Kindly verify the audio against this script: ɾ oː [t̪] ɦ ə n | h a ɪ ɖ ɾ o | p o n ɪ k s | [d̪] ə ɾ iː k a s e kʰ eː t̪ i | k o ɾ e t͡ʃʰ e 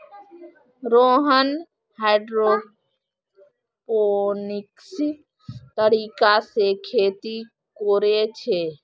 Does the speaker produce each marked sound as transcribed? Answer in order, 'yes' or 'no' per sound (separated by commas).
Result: no, no